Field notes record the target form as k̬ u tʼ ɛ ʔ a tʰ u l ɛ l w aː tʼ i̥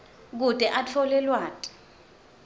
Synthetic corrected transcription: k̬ u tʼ ɛ ʔ a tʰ ɔ l ɛ l w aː tʼ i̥